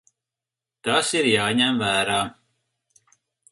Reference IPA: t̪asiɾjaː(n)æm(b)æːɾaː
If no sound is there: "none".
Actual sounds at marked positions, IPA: ɲ, v

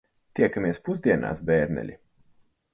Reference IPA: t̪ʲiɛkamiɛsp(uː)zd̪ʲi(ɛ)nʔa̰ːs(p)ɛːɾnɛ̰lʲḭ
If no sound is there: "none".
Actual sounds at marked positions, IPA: u, ɛ, b

